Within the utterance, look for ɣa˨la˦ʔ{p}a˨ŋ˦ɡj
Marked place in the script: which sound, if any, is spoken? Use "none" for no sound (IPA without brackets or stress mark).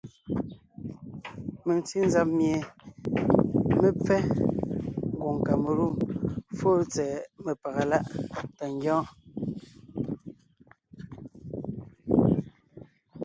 t